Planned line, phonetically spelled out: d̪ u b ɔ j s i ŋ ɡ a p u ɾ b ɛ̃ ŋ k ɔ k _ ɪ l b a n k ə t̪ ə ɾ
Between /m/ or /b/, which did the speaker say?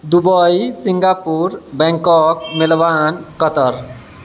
m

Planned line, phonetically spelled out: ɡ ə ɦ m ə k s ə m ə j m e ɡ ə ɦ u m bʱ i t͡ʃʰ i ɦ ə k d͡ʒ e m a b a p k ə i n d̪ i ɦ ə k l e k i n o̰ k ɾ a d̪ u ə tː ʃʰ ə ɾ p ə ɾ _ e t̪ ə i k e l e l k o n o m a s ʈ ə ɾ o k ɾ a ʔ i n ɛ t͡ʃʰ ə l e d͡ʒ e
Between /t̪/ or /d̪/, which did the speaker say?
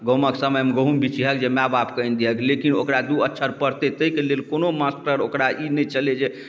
t̪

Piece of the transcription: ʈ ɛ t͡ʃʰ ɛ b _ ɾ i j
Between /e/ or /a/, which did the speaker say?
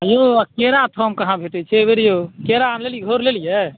e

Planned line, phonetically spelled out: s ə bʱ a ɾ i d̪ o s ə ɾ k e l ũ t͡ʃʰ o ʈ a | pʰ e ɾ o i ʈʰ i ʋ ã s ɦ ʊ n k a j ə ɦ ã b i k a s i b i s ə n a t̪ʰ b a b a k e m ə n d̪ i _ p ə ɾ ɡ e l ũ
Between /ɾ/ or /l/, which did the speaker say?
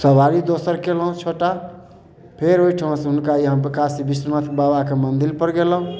l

